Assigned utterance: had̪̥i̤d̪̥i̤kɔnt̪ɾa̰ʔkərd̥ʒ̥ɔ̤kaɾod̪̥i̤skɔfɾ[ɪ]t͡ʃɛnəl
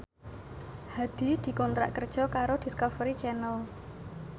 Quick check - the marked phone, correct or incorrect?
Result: incorrect